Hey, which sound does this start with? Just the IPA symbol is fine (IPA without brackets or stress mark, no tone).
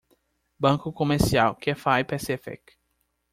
b